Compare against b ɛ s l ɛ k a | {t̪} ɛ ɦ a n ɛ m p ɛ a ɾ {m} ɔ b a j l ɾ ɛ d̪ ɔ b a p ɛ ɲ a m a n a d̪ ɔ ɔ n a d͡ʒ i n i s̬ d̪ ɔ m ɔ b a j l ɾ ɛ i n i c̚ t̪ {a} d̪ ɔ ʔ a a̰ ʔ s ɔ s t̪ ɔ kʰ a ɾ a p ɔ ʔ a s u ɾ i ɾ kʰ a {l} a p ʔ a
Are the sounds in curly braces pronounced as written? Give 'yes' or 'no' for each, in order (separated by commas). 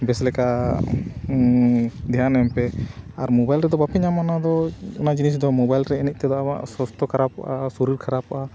no, yes, no, no